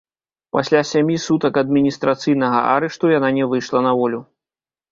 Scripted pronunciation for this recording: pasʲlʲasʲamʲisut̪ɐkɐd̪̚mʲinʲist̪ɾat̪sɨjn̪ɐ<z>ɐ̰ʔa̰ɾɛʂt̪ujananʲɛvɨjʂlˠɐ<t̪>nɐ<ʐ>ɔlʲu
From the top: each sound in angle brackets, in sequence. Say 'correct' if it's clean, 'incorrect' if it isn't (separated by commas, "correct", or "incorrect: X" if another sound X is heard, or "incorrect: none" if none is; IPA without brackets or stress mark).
incorrect: ɣ, incorrect: none, incorrect: v